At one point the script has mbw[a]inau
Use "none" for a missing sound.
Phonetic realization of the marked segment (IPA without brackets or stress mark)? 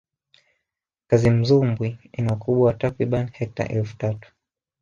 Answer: i